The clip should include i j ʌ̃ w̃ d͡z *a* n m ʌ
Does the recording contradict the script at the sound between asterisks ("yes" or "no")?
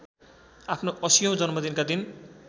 yes